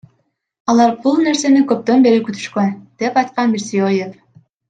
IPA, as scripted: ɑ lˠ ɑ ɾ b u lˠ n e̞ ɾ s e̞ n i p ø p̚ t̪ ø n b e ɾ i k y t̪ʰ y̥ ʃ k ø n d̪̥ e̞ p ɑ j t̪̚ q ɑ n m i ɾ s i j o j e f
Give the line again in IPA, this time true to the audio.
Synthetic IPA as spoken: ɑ lˠ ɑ ɾ b u lˠ n e̞ ɾ s e̞ n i k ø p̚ t̪ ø n b e ɾ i k y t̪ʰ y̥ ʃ k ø n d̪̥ e̞ p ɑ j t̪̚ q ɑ n m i ɾ s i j o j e f